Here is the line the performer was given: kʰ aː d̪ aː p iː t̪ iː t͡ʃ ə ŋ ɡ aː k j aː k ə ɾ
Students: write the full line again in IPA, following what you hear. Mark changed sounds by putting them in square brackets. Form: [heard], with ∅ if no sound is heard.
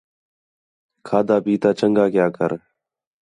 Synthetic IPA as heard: kʰ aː d̪ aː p iː t̪ [aː] t͡ʃ ə ŋ ɡ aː k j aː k ə ɾ